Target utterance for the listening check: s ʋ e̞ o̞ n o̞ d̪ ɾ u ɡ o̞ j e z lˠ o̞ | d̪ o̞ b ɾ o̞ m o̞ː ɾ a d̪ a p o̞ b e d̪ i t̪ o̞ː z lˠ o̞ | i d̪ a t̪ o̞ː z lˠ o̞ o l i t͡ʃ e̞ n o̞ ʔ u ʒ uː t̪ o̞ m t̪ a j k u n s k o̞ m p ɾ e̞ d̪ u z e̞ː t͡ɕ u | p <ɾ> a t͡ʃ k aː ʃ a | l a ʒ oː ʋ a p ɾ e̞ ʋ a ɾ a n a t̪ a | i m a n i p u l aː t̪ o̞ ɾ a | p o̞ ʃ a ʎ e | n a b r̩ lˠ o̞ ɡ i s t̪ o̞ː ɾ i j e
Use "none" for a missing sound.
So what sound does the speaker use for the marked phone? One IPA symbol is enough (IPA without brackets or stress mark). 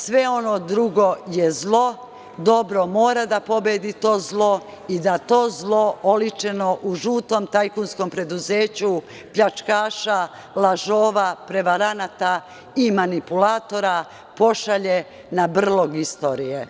ʎ